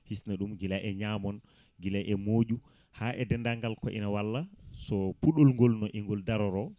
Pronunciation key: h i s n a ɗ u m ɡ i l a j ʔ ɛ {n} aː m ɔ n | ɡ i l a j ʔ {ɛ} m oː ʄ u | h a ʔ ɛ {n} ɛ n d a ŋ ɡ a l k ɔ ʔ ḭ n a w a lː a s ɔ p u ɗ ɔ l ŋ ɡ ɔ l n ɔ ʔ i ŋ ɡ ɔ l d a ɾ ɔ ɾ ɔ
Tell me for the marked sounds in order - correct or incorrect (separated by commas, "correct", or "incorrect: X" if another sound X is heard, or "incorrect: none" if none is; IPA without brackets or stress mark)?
incorrect: ɲ, correct, incorrect: d